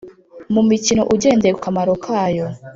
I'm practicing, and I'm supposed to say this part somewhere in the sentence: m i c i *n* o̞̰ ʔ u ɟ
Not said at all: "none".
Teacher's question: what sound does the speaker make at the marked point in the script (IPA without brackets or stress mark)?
n